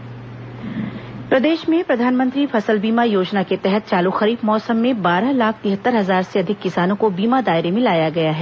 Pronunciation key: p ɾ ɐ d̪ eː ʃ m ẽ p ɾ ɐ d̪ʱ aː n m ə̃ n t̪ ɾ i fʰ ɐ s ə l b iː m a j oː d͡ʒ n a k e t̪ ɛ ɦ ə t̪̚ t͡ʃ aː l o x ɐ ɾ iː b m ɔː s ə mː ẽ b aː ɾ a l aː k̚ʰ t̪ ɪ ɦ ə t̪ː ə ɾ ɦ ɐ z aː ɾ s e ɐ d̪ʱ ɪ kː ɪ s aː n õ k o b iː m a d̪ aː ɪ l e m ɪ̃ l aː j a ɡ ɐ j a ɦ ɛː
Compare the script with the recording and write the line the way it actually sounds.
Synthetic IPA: p ɾ ɐ d̪ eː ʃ m ẽ p ɾ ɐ d̪ʱ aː n m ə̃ n t̪ ɾ i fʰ ɐ s ə l b iː m a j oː d͡ʒ n a k e t̪ ɛ ɦ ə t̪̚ t͡ʃ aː l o x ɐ ɾ iː b m ɔː s ə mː ẽ b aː ɾ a l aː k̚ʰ t̪ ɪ ɦ ə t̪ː ə ɾ ɦ ɐ z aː ɾ s e ɐ d̪ʱ ɪ kː ɪ s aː n õ k o b iː m a d̪ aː ɪ ɾ e m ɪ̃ l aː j a ɡ ɐ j a ɦ ɛː